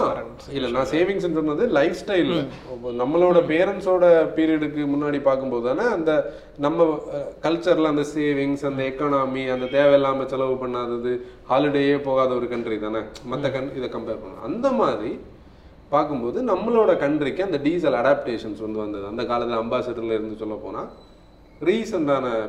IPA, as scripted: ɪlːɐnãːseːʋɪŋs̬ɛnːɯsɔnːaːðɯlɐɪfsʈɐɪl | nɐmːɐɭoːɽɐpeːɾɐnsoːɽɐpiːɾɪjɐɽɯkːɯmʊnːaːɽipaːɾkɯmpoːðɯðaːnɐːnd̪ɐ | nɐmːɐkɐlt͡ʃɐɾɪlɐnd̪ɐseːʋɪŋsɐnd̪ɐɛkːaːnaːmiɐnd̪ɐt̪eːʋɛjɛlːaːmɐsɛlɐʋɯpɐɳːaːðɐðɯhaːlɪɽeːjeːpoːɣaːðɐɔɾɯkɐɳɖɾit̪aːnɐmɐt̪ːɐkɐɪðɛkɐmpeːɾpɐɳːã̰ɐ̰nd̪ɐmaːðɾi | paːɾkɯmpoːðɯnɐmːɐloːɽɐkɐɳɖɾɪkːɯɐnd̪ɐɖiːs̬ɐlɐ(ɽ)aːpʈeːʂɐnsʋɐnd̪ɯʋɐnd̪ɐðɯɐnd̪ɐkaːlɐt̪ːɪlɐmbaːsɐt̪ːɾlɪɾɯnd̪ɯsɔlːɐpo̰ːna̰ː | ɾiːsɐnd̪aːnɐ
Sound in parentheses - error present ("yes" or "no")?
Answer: no